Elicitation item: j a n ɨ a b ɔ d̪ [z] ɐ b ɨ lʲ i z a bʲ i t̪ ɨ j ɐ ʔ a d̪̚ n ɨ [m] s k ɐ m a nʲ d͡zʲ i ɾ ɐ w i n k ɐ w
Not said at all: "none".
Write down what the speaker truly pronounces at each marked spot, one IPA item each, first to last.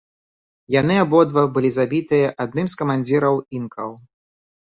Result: v, m

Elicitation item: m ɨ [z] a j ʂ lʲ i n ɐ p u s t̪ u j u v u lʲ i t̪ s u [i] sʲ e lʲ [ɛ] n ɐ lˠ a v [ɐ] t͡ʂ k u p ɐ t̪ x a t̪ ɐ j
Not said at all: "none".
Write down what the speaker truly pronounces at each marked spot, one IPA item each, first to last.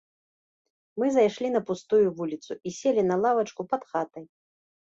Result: z, i, i, ɐ

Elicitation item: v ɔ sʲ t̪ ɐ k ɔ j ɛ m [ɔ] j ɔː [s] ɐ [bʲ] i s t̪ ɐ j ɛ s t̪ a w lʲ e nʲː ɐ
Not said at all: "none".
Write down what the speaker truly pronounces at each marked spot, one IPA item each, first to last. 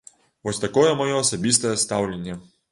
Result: ɔ, s, bʲ

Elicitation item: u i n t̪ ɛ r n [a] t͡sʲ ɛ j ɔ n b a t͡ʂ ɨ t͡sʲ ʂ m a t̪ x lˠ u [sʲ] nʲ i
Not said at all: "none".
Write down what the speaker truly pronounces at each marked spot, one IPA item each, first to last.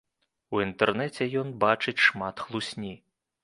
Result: ɛ, sʲ

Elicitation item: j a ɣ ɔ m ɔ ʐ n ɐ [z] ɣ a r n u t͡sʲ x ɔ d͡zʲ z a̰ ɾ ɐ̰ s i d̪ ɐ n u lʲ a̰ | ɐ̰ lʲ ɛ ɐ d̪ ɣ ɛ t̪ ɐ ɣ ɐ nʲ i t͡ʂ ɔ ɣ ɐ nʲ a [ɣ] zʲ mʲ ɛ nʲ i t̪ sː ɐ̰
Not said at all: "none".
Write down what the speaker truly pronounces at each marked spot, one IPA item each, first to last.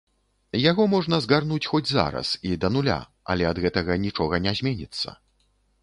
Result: z, none

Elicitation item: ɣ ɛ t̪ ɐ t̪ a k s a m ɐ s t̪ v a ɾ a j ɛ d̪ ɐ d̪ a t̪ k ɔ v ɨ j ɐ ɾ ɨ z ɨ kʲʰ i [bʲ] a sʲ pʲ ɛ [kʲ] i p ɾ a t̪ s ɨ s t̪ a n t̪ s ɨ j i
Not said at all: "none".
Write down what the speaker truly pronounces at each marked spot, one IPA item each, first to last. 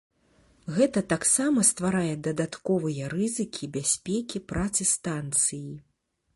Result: bʲ, kʲ

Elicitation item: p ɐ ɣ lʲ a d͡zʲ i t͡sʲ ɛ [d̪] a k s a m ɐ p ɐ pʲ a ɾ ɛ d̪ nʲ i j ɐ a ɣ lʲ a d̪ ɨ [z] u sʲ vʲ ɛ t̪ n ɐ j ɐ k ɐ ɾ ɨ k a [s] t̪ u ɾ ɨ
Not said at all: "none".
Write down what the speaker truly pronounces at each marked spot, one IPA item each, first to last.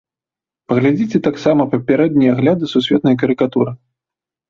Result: t̪, s, none

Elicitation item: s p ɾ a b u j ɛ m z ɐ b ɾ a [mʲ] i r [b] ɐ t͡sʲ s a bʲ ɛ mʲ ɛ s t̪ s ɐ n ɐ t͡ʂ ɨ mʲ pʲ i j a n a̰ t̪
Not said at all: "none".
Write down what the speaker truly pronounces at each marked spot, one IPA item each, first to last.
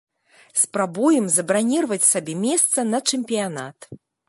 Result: nʲ, v

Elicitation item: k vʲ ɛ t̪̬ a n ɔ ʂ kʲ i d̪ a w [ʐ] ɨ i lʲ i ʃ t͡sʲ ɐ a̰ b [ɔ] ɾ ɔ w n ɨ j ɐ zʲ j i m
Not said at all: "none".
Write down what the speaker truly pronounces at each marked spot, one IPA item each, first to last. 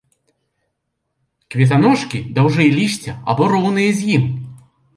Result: ʐ, ɔ

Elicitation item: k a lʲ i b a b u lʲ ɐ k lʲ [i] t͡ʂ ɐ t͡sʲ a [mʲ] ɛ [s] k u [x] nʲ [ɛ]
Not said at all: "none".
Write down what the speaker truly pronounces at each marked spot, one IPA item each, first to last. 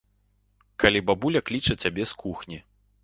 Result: i, bʲ, s, x, i

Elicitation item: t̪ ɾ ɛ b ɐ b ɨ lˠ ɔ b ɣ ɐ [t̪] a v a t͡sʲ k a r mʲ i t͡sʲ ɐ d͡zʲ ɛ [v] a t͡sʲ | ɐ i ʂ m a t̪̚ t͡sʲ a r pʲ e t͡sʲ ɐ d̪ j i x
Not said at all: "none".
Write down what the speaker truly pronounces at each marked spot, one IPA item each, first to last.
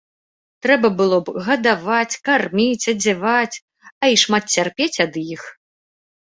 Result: d̪, v

